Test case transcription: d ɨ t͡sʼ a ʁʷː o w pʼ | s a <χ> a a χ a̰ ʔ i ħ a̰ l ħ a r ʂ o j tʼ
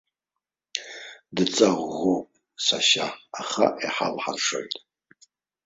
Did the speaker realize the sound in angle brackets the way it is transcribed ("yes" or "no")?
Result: no